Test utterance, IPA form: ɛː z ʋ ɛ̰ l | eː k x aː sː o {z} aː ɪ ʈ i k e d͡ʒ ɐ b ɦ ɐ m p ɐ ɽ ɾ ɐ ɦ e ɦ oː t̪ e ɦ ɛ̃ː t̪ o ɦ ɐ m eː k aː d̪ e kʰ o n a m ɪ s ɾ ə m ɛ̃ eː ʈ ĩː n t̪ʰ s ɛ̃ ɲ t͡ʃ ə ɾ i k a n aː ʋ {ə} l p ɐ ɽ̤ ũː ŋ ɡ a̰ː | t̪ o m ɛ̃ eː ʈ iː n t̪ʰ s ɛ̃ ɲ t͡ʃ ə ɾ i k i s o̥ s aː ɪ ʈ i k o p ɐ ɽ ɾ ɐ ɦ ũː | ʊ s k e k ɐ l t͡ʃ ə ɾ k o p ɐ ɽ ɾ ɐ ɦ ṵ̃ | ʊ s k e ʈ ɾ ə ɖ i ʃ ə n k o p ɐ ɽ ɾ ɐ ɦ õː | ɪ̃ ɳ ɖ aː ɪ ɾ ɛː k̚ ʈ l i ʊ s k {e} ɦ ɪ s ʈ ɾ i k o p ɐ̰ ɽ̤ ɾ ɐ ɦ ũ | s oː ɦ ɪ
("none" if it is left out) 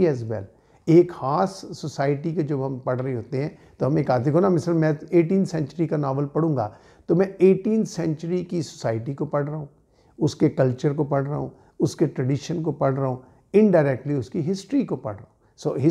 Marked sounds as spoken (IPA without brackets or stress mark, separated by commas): s, ə, i